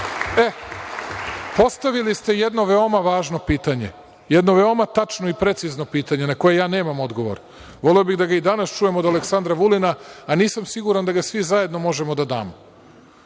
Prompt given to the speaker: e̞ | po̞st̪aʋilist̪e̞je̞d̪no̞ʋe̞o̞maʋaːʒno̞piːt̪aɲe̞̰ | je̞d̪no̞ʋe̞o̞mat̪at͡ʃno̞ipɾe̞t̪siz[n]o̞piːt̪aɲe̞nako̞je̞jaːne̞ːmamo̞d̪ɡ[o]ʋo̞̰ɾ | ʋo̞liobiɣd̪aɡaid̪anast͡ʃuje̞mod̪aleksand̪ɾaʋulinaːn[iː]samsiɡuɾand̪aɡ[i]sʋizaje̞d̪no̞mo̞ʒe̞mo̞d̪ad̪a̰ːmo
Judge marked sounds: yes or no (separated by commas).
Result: yes, yes, yes, no